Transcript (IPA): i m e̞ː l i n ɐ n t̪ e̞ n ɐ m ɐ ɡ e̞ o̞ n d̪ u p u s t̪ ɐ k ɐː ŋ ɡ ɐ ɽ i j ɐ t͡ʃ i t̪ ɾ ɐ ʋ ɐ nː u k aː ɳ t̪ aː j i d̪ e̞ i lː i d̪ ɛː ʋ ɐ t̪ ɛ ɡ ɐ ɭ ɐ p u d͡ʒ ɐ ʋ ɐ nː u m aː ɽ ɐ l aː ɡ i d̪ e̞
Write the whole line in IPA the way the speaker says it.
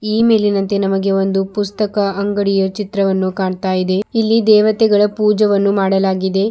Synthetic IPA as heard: iː m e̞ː l i n ɐ n t̪ e̞ n ɐ m ɐ ɡ e̞ o̞ n d̪ u p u s t̪ ɐ k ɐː ŋ ɡ ɐ ɽ i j ɐ t͡ʃ i t̪ ɾ ɐ ʋ ɐ nː u k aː ɳ t̪ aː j i d̪ e̞ i lː i d̪ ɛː ʋ ɐ t̪ ɛ ɡ ɐ ɭ ɐ p uː d͡ʒ ɐ ʋ ɐ nː u m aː ɽ ɐ l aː ɡ i d̪ e̞

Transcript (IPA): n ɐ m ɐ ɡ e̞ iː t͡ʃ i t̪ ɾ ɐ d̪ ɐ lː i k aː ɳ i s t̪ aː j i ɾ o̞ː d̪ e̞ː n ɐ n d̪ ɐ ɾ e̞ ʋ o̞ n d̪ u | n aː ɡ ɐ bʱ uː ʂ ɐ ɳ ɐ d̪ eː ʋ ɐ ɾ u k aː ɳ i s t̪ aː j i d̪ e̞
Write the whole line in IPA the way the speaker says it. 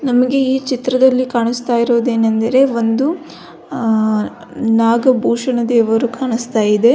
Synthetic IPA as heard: n ɐ m ɐ ɡ e̞ iː t͡ʃ i t̪ ɾ ɐ d̪ ɐ lː i k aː ɳ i s t̪ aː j i ɾ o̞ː d̪ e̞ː n ɐ n d̪ ɐ ɾ e̞ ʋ o̞ n d̪ u | n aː ɡ ɐ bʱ uː ʂ ɐ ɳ ɐ d̪ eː ʋ ɐ ɾ u k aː ɳ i s t̪ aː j i d̪ e̞

